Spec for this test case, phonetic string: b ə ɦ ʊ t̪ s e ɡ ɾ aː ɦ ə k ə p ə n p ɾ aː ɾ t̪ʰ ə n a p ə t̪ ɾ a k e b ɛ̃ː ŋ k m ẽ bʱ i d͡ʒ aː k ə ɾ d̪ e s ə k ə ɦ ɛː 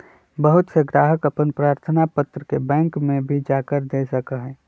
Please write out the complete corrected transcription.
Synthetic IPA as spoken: b ə ɦ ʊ t̪ s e ɡ ɾ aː ɦ ə k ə p ə n p ɾ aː ɾ t̪ʰ ə n a p ə t̪ ɾ ə k e b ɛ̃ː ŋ k m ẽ bʱ i d͡ʒ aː k ə ɾ d̪ e s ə k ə ɦ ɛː